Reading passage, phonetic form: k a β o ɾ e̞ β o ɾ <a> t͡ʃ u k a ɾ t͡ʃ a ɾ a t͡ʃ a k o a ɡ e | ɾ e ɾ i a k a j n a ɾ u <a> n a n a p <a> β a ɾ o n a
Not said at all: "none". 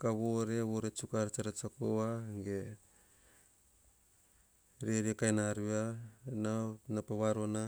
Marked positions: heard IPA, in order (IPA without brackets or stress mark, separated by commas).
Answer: e, a, a